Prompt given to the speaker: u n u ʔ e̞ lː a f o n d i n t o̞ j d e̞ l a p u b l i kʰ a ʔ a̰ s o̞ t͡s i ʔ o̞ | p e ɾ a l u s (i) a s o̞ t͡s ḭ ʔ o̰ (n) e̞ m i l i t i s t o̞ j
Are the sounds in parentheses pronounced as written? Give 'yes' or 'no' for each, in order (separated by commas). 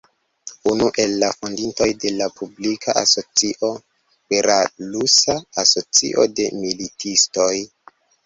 no, no